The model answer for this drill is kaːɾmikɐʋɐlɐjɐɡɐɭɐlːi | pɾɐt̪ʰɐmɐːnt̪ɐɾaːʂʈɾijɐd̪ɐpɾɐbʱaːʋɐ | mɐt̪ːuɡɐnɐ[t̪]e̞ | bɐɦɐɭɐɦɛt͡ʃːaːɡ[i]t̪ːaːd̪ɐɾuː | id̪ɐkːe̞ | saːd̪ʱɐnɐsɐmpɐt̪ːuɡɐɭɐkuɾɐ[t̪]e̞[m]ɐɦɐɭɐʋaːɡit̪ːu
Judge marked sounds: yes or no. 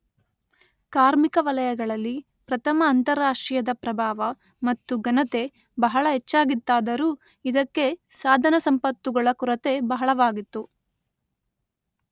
yes, yes, yes, no

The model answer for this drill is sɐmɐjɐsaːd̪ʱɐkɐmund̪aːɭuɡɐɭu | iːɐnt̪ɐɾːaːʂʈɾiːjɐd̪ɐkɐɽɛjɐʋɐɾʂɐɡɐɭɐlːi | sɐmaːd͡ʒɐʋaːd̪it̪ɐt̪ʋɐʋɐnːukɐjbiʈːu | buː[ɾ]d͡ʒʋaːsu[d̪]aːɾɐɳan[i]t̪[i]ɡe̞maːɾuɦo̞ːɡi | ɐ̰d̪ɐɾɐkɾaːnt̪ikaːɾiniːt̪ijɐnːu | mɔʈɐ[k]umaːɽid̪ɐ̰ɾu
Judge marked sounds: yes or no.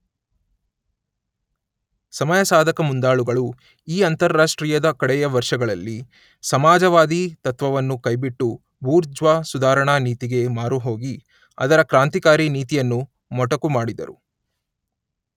yes, yes, no, yes, yes

